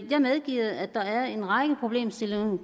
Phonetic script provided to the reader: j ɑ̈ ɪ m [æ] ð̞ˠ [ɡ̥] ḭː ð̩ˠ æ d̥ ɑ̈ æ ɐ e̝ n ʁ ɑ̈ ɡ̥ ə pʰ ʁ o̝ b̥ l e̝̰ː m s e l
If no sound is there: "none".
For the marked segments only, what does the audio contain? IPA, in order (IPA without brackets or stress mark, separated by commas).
e, ɡ̥